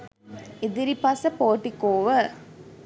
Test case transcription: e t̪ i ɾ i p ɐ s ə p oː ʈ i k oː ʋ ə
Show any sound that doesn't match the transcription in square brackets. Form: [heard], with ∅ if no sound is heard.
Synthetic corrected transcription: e [d̪] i ɾ i p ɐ s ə p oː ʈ i k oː ʋ ə